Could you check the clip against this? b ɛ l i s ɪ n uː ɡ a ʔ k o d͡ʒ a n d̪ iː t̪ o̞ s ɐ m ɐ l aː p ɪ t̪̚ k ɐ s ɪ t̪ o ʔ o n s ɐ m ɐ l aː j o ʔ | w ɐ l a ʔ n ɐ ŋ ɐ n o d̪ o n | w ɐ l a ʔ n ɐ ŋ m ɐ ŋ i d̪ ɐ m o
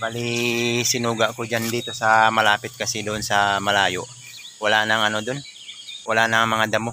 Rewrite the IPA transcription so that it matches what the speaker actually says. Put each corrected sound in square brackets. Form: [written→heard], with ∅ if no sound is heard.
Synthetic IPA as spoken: b [ɛ→a] l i s ɪ n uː ɡ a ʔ k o d͡ʒ a n d̪ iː t̪ o̞ s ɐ m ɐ l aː p ɪ t̪̚ k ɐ s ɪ [t̪→d̪] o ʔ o n s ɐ m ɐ l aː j o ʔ | w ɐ l a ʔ n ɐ ŋ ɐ n o d̪ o n | w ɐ l a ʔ n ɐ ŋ m ɐ ŋ [i→a] d̪ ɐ m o

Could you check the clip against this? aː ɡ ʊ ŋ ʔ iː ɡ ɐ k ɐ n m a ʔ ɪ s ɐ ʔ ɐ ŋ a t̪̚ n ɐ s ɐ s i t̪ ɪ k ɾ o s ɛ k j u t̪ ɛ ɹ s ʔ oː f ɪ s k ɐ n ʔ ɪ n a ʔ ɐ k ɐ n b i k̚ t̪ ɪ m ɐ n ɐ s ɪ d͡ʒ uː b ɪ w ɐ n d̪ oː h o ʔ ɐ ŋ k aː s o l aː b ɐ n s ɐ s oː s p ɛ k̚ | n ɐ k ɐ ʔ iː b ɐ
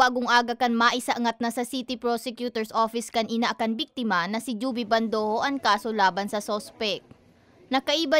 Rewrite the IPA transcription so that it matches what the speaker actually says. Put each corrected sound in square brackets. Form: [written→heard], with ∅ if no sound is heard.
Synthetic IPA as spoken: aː ɡ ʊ ŋ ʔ [iː→aː] ɡ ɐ k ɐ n m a ʔ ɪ s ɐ ʔ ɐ ŋ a t̪̚ n ɐ s ɐ s i t̪ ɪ [k→p] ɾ o s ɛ k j u t̪ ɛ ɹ s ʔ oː f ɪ s k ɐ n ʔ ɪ n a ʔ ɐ k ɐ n b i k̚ t̪ ɪ m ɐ n ɐ s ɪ d͡ʒ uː b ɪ [w→b] ɐ n d̪ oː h o ʔ ɐ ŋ k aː s o l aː b ɐ n s ɐ s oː s p ɛ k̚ | n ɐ k ɐ ʔ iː b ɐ

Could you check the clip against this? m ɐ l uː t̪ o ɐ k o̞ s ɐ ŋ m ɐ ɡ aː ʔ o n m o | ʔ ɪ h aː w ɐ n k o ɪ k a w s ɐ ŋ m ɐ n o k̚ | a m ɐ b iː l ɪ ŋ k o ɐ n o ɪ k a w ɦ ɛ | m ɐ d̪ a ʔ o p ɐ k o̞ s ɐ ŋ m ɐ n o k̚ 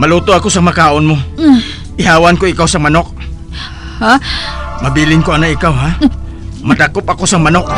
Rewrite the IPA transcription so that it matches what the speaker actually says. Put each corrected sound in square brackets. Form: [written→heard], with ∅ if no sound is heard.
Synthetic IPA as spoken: m ɐ l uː t̪ o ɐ k o̞ s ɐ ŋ m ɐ [ɡ→k] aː ʔ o n m o | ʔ ɪ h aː w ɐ n k o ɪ k a w s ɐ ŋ m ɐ n o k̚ | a m ɐ b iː l ɪ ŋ k o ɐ n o ɪ k a w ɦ [ɛ→a] | m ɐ d̪ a [ʔ→k] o p ɐ k o̞ s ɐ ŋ m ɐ n o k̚

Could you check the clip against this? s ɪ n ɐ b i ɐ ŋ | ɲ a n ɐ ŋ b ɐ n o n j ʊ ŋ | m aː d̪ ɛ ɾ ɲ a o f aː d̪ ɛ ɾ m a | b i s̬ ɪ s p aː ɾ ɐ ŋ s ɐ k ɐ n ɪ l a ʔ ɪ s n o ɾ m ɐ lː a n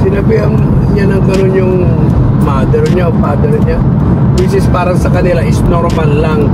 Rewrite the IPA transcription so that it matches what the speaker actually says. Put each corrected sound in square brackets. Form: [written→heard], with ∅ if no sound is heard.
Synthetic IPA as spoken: s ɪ n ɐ b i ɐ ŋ | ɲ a n ɐ ŋ [b→ɡ] ɐ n o n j ʊ ŋ | m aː d̪ ɛ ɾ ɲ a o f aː d̪ ɛ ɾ [m→ɲ] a | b i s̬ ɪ s p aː ɾ ɐ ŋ s ɐ k ɐ n ɪ l a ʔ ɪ s n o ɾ m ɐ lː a [n→ŋ]

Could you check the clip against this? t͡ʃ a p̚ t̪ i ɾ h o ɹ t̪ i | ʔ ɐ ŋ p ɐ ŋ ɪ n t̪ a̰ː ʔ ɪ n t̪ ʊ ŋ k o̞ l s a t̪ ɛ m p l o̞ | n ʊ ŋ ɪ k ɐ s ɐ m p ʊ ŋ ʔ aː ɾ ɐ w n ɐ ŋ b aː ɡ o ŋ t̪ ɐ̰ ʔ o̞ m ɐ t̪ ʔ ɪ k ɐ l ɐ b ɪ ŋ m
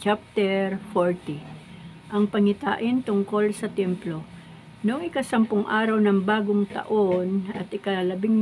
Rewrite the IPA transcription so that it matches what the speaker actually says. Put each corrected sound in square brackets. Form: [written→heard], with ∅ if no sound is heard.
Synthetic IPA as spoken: t͡ʃ a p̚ t̪ [i→ɛ] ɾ [h→f] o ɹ t̪ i | ʔ ɐ ŋ p ɐ ŋ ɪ [n→∅] t̪ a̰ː ʔ ɪ n t̪ ʊ ŋ k o̞ l s [a→ɐ] t̪ ɛ m p l o̞ | n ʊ ŋ ɪ k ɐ s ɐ m p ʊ ŋ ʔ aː ɾ ɐ w n ɐ ŋ b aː ɡ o ŋ t̪ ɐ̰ ʔ o̞ [m→n] ɐ t̪ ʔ ɪ k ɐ l ɐ b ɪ ŋ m

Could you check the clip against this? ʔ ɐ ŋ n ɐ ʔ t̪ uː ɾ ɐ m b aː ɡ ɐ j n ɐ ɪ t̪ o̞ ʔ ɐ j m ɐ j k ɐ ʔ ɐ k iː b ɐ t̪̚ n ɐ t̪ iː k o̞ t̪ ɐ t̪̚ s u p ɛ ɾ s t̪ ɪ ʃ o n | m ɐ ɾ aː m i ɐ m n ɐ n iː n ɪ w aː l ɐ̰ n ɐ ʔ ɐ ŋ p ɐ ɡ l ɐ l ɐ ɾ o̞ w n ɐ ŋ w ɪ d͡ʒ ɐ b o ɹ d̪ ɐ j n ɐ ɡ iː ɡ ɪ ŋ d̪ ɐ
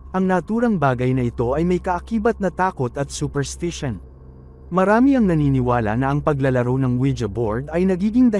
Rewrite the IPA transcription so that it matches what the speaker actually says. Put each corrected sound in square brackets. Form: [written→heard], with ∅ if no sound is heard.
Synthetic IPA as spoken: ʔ ɐ ŋ n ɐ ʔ t̪ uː ɾ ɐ [m→ŋ] b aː ɡ ɐ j n ɐ ɪ t̪ o̞ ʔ ɐ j m ɐ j k ɐ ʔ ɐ k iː b ɐ t̪̚ n ɐ t̪ [iː→aː] k o̞ t̪ ɐ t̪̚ s u p ɛ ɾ s t̪ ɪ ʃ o n | m ɐ ɾ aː m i ɐ [m→ŋ] n ɐ n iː n ɪ w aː l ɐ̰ n ɐ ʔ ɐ ŋ p ɐ ɡ l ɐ l ɐ ɾ o̞ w n ɐ ŋ w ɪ d͡ʒ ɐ b o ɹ d̪ ɐ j n ɐ ɡ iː ɡ ɪ ŋ d̪ ɐ

